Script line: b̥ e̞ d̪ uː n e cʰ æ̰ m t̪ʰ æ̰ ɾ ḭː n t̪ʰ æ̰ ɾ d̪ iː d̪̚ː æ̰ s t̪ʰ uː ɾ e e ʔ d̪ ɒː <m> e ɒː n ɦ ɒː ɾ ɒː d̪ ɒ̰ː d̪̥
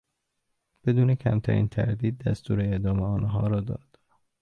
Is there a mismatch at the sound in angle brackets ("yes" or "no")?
no